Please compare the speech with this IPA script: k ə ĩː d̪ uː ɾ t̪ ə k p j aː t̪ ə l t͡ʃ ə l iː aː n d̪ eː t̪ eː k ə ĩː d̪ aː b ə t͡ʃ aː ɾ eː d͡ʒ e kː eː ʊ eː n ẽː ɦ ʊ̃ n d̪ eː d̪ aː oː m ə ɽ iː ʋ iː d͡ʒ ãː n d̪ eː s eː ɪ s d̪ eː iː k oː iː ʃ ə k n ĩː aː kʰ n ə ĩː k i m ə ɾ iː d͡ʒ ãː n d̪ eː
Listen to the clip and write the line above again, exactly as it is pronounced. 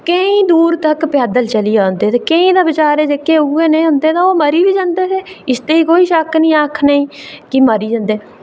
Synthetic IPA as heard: k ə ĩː d̪ uː ɾ t̪ ə k p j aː d̪ ə l t͡ʃ ə l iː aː n d̪ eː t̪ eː k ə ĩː d̪ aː b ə t͡ʃ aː ɾ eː d͡ʒ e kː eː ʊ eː n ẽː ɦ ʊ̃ n d̪ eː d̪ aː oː m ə ɾ iː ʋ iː d͡ʒ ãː n d̪ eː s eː ɪ s t̪ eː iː k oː iː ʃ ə k n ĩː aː kʰ n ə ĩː k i m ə ɾ iː d͡ʒ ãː n d̪ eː

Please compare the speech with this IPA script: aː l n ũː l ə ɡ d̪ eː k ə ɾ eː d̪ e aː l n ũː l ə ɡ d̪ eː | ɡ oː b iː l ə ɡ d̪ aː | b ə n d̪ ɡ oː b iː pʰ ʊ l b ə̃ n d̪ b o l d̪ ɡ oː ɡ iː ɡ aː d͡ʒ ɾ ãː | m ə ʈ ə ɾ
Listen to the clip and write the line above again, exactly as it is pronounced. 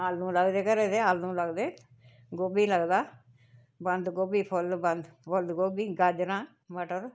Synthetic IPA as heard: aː l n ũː l ə ɡ d̪ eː k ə ɾ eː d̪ e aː l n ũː l ə ɡ d̪ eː | ɡ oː b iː l ə ɡ d̪ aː | b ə n d̪ ɡ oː b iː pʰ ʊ l b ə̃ n d̪ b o l d̪ ɡ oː b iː ɡ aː d͡ʒ ɾ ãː | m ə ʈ ə ɾ

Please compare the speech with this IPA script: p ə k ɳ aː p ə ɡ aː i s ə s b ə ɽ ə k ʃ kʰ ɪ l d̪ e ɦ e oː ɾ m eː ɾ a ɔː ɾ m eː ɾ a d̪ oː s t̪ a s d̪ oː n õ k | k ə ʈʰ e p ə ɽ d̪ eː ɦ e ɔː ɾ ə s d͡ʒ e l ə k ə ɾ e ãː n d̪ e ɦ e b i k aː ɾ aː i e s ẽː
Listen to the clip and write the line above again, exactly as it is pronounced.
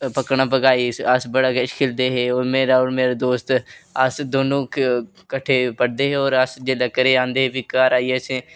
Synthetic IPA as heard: p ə k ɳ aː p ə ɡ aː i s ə s b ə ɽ a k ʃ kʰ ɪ l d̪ e ɦ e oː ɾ m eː ɾ a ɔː ɾ m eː ɾ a d̪ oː s t̪ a s d̪ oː n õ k | k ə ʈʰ e p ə ɽ d̪ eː ɦ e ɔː ɾ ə s d͡ʒ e l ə k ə ɾ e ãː n d̪ e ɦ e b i k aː ɾ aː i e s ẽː

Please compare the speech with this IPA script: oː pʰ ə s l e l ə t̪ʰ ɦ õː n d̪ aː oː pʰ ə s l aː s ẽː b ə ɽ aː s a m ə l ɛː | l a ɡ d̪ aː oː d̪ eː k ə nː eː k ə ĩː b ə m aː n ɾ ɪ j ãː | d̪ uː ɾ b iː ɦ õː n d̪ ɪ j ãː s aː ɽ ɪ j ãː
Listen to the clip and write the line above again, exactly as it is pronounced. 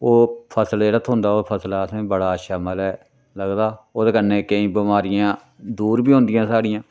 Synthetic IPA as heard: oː pʰ ə s l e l ə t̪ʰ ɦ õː n d̪ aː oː pʰ ə s l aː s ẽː b ə ɽ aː ʃ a m ə l ɛː | l ə ɡ d̪ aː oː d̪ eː k ə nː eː k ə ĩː b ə m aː ɾ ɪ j ãː | d̪ uː ɾ b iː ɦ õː n d̪ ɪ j ãː s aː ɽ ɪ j ãː

